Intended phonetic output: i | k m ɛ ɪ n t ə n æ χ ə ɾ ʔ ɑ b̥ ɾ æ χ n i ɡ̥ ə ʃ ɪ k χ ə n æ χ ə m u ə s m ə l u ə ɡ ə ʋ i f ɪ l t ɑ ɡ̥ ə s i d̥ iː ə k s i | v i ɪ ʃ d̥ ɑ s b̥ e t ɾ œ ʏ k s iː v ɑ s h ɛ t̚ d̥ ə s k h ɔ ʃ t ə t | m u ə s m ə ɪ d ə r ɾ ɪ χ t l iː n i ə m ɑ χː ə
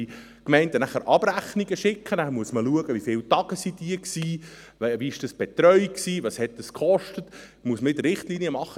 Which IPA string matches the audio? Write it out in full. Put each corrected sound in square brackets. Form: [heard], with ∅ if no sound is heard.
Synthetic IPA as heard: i | k m ɛ ɪ n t ə n æ χ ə ɾ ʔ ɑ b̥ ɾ æ χ n i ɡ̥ ə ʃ ɪ k χ ə n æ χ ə m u ə s m ə l u ə ɡ ə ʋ i f ɪ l t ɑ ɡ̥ ə s i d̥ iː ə k s [iː] | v i ɪ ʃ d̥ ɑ s b̥ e t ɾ œ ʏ k s iː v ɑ s h ɛ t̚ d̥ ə s k [χ] ɔ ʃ t ə t | m u ə s m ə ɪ d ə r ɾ ɪ χ t l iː n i ə m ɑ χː ə